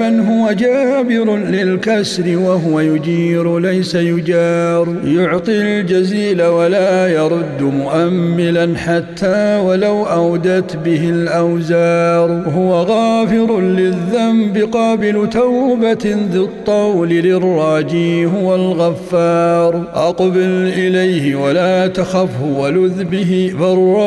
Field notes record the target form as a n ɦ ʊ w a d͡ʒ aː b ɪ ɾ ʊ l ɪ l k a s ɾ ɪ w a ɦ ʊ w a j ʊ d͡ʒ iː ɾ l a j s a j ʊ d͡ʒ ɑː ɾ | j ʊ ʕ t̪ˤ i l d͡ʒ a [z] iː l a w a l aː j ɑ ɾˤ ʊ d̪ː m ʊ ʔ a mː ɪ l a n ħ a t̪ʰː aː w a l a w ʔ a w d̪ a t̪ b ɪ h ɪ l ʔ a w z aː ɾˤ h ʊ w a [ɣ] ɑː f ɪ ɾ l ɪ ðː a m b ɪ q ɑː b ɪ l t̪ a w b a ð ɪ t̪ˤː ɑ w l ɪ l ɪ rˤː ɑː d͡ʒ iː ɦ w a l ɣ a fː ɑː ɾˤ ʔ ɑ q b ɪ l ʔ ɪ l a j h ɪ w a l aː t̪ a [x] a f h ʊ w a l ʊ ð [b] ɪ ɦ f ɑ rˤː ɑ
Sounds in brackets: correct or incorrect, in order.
correct, correct, correct, correct

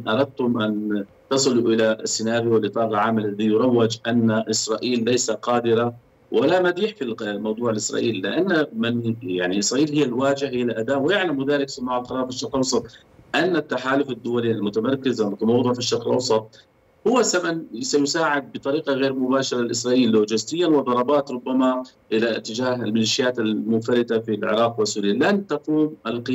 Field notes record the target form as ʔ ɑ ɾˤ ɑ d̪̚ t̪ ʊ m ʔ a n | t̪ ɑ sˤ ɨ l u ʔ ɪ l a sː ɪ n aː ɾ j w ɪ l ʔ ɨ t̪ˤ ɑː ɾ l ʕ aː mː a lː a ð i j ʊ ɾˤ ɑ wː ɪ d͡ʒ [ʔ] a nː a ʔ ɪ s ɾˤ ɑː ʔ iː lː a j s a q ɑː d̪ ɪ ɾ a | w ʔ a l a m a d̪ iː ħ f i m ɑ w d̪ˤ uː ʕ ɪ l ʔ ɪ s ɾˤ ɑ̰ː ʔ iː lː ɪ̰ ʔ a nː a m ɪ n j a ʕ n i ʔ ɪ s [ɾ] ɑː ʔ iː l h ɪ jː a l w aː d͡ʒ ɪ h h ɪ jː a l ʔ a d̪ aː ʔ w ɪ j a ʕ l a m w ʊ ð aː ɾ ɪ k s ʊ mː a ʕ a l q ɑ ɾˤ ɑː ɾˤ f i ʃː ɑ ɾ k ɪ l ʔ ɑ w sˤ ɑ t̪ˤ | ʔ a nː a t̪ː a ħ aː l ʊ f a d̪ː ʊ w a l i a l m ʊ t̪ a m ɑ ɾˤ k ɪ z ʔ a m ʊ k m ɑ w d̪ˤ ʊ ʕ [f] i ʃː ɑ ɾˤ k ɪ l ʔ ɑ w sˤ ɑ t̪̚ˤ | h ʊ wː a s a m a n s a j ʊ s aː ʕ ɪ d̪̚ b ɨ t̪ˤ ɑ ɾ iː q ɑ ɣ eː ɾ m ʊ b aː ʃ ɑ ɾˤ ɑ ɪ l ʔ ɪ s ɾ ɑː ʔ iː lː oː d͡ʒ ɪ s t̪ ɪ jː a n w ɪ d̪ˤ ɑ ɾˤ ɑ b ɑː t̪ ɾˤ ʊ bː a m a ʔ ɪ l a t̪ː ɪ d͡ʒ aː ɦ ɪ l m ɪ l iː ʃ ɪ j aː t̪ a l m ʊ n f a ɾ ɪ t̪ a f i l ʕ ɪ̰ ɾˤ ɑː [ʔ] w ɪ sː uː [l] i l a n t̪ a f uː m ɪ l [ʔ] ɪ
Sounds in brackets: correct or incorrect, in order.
correct, correct, correct, incorrect: q, incorrect: ɾ, incorrect: q

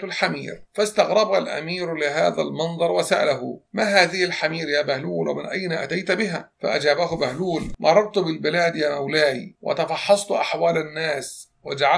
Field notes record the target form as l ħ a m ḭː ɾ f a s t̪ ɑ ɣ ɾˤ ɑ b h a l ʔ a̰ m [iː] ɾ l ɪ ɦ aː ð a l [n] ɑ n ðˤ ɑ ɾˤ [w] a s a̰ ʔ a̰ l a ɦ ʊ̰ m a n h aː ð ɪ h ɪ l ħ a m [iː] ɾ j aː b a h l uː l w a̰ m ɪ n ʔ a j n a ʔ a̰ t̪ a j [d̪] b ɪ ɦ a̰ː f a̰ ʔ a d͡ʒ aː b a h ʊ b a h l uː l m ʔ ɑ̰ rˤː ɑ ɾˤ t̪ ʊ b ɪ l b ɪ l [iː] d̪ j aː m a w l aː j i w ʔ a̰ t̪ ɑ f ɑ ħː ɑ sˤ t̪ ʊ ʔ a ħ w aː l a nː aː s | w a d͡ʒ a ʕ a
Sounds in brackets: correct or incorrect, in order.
correct, incorrect: m, correct, correct, incorrect: t̪, incorrect: aː

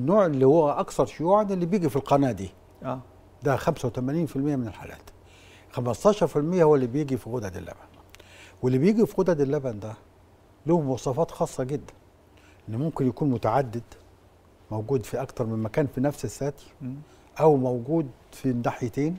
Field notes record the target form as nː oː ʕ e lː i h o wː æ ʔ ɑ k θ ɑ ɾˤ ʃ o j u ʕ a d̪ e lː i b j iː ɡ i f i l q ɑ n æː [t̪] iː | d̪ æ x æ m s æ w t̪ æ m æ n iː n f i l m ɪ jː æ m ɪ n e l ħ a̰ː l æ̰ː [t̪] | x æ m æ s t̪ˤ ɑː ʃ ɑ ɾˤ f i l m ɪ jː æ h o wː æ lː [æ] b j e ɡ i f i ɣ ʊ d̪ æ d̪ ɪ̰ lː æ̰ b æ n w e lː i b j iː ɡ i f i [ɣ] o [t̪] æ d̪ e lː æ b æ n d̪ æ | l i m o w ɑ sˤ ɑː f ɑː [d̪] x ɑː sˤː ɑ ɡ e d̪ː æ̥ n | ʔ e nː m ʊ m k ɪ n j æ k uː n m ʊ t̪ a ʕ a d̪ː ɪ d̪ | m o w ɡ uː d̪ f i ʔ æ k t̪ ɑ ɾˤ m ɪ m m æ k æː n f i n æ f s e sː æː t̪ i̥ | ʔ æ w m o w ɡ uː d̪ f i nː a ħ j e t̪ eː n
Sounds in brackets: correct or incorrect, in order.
incorrect: d̪, correct, incorrect: i, correct, incorrect: d̪, incorrect: t̪

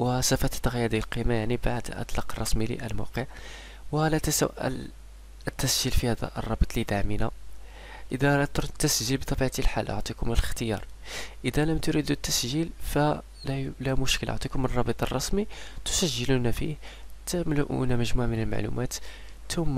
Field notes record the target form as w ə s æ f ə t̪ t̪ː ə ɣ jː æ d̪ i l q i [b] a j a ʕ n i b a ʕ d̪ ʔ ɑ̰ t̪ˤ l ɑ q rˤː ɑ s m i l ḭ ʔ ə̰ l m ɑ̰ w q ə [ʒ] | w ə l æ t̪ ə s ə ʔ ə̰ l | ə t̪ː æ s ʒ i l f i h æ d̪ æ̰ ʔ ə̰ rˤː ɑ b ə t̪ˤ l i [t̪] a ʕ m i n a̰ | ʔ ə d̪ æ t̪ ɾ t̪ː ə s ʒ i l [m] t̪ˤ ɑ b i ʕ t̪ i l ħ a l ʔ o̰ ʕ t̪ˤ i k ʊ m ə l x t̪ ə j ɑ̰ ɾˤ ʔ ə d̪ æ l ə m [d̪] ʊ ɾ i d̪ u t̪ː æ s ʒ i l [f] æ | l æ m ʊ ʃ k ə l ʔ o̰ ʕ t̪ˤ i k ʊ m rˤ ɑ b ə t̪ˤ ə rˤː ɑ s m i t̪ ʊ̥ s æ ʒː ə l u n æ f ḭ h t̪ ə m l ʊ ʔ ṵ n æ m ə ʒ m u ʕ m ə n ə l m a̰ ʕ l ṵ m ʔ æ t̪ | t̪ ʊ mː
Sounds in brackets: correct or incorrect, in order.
incorrect: m, incorrect: ʕ, incorrect: d̪, incorrect: b, incorrect: t̪, correct

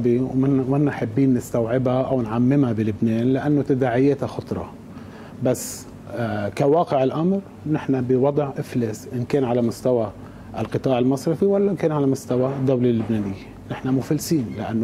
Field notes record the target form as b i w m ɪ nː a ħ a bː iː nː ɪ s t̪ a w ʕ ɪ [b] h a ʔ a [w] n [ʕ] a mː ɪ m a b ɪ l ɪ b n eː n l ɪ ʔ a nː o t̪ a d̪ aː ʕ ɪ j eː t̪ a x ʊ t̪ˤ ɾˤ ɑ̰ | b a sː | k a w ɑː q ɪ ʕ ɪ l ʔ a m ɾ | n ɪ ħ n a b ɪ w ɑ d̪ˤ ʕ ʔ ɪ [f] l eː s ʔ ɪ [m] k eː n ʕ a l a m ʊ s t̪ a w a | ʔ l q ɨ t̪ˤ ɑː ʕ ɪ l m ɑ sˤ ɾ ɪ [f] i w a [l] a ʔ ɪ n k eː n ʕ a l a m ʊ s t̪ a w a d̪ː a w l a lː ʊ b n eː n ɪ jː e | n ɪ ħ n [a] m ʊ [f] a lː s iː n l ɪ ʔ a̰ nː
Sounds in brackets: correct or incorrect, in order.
correct, correct, correct, correct, incorrect: n, correct, incorrect: lː, correct, correct

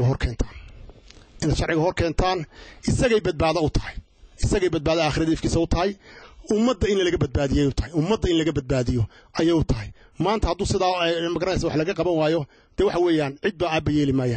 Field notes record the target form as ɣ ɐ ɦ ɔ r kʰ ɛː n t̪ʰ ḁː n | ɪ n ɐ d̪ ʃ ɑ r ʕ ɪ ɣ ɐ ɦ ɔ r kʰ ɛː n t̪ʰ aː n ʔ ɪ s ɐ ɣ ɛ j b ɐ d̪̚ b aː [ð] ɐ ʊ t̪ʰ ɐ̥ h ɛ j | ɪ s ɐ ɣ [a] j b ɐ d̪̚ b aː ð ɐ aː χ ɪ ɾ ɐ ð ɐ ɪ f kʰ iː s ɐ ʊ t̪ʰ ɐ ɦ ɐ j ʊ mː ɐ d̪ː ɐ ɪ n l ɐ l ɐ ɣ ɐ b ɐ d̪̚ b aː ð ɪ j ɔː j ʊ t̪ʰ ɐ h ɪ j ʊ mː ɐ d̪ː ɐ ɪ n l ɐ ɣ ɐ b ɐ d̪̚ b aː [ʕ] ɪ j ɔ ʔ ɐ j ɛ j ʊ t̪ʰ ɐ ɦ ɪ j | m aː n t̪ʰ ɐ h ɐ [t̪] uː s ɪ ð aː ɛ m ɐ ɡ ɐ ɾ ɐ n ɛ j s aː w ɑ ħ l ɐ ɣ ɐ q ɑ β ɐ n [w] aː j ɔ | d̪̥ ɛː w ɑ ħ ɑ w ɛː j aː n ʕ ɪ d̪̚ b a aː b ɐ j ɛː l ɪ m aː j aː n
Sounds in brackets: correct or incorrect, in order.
correct, incorrect: ɛ, incorrect: ð, incorrect: d̪, correct

